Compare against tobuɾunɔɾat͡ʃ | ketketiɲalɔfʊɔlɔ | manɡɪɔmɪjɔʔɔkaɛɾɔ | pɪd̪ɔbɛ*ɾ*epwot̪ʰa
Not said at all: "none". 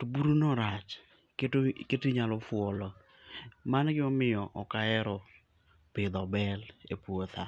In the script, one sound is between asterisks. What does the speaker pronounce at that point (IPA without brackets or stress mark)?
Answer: l